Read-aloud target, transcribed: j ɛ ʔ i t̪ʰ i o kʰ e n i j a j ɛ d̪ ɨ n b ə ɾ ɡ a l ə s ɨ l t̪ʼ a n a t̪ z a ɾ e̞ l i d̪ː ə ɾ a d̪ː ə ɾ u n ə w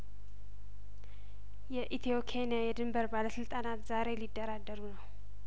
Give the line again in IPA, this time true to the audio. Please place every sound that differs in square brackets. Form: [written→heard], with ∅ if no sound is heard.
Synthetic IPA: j ɛ ʔ i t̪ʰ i o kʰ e n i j a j ɛ d̪ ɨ [n→m] b ə ɾ [ɡ→b] a l ə s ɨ l t̪ʼ a n a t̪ z a ɾ e̞ l i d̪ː ə ɾ a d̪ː ə ɾ u n ə w